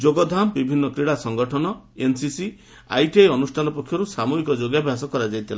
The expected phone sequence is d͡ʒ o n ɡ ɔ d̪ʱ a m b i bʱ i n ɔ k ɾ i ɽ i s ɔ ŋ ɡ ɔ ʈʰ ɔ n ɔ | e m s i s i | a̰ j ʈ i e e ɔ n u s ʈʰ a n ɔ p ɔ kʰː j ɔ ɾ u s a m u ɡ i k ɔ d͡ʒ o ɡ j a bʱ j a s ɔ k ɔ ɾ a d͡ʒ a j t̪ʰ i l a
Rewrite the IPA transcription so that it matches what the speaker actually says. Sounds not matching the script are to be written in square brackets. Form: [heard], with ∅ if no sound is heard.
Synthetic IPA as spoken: d͡ʒ o [∅] ɡ ɔ d̪ʱ a m b i bʱ i [nː] ɔ k ɾ i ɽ [a] s ɔ ŋ ɡ ɔ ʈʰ ɔ n ɔ | e [n] s i s i | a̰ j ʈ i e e ɔ n u s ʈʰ a n ɔ p ɔ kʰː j ɔ ɾ u s a m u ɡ i k ɔ d͡ʒ o ɡ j a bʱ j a s ɔ k ɔ ɾ a d͡ʒ a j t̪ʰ i l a